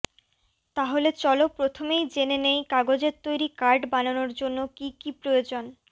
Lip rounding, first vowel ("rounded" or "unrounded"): unrounded